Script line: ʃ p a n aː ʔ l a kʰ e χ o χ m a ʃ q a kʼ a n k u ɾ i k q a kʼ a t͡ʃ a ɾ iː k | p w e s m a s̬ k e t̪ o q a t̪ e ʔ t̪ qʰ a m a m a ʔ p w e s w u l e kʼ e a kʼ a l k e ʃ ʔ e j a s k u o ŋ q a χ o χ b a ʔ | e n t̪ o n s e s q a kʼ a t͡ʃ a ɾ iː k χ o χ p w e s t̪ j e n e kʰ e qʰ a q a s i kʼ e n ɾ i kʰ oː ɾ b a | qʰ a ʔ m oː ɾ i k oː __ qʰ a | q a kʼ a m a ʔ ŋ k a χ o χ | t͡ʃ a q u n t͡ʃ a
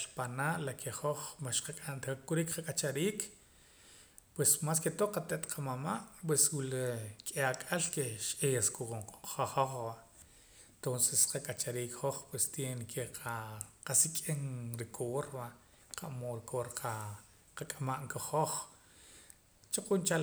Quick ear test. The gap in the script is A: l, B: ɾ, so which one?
B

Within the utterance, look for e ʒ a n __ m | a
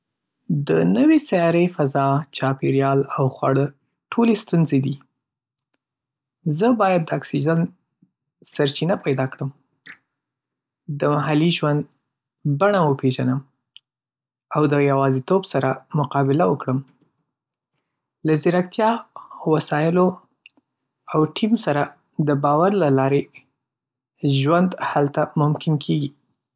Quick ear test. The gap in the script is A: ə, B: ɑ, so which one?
A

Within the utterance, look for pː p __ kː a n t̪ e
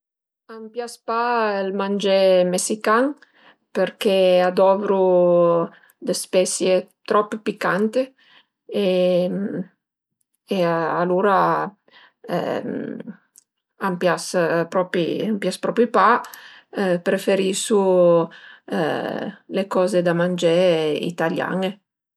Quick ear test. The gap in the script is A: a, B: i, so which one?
B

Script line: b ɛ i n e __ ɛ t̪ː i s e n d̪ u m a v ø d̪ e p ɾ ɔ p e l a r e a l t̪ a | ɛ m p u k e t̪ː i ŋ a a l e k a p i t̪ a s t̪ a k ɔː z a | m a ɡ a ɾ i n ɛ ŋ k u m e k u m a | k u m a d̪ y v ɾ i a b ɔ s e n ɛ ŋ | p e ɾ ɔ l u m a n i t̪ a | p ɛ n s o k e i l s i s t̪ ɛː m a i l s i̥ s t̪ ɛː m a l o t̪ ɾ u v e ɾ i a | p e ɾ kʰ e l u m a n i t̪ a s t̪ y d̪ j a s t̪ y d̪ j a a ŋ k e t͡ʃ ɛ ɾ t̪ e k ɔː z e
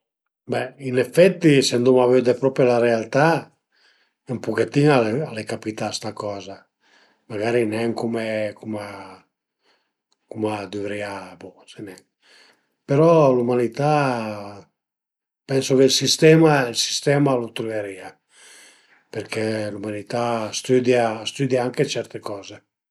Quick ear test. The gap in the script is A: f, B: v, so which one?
A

